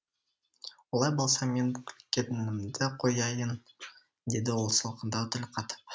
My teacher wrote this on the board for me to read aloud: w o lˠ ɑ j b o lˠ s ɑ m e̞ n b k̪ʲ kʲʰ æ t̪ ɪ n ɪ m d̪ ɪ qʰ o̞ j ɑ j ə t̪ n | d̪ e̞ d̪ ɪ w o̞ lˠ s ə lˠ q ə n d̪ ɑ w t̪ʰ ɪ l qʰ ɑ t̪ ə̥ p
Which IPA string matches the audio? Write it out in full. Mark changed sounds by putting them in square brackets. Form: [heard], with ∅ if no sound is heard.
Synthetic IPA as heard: w o lˠ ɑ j b o lˠ s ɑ m e̞ n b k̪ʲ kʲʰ [e] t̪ ɪ n ɪ m d̪ ɪ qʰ o̞ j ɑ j ə [∅] n | d̪ e̞ d̪ ɪ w o̞ lˠ s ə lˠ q ə n d̪ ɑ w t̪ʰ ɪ l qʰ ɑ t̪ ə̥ p